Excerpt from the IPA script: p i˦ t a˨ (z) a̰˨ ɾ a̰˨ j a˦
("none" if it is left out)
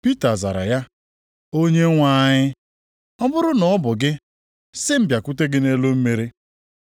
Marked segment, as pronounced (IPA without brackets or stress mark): z